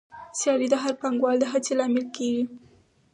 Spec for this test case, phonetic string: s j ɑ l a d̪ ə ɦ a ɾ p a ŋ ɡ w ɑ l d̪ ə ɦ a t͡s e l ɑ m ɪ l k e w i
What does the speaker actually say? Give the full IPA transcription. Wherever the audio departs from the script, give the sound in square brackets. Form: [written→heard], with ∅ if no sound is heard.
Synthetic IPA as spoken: s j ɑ l [a→i] d̪ ə ɦ a ɾ p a ŋ ɡ w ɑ l d̪ ə ɦ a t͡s e l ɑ m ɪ l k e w i